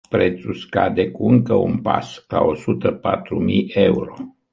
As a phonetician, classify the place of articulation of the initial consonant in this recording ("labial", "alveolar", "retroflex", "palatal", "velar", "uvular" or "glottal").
labial